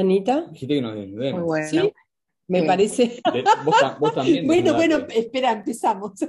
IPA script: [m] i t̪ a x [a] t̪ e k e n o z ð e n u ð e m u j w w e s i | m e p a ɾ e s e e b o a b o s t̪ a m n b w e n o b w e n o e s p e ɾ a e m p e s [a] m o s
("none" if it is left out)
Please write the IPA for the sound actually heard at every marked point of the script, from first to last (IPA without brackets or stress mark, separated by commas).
n, i, a